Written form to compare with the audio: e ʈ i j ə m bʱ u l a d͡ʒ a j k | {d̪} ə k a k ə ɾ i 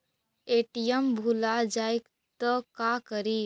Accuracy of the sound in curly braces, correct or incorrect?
incorrect